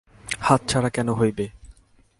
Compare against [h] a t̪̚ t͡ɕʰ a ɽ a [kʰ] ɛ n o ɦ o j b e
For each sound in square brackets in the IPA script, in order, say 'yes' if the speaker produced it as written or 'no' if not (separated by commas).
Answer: yes, no